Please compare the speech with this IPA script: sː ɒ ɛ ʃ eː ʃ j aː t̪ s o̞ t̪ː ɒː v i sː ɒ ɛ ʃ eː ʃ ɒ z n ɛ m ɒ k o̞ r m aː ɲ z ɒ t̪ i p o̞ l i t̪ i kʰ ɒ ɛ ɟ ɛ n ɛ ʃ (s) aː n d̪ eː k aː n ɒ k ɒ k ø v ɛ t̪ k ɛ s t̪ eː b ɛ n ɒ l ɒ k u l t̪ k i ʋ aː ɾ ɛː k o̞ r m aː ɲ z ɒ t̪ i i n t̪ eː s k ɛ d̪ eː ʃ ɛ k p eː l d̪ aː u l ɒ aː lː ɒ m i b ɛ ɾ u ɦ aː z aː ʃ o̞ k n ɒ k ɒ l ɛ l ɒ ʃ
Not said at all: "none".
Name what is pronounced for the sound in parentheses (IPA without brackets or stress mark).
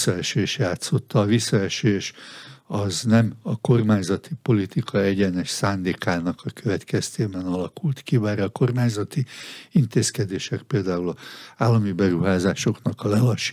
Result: s